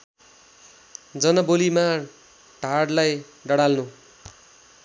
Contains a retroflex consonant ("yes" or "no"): yes